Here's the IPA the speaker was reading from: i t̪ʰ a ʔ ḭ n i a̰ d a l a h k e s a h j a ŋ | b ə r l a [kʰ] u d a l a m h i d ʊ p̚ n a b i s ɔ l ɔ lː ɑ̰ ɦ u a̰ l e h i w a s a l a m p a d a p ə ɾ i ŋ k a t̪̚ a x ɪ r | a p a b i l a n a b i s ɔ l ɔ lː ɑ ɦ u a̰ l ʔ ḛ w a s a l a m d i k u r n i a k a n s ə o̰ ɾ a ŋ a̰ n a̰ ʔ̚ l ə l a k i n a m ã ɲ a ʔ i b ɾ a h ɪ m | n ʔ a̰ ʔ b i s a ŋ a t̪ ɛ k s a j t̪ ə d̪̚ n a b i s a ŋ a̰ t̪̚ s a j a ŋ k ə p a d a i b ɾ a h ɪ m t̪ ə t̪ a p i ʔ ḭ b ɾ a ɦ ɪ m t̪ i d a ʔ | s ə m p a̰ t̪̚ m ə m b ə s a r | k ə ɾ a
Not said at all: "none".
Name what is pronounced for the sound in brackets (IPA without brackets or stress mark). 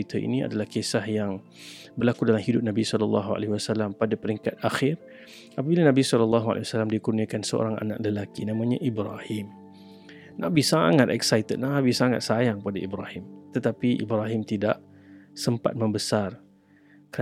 k